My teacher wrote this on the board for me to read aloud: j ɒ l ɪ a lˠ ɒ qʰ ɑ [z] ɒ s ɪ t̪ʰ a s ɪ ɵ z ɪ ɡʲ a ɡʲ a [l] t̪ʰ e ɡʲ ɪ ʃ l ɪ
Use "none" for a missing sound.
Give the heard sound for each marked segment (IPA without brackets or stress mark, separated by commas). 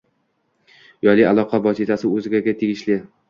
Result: v, none